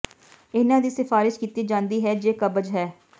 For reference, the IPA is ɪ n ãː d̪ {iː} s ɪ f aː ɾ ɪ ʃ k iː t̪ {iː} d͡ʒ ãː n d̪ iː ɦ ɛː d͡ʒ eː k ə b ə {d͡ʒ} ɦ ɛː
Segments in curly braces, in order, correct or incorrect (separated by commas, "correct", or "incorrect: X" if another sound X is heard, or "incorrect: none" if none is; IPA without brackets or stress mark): correct, correct, correct